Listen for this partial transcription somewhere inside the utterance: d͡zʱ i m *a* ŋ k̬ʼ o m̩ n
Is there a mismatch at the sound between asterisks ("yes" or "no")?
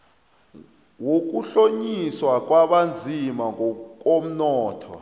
no